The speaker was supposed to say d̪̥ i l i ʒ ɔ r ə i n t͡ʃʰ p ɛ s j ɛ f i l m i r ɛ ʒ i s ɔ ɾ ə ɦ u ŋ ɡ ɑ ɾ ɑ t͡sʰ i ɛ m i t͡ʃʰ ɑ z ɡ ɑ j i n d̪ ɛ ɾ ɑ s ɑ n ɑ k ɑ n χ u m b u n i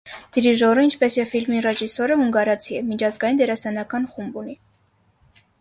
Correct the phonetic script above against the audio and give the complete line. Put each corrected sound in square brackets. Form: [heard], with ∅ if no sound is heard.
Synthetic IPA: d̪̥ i [ɾ] i ʒ ɔ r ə i n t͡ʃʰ p ɛ s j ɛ f i l m i r ɛ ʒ i s ɔ ɾ ə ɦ u ŋ ɡ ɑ ɾ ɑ t͡sʰ i ɛ m i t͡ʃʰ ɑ z ɡ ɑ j i n d̪ ɛ ɾ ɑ s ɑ n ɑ k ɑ n χ u m b u n i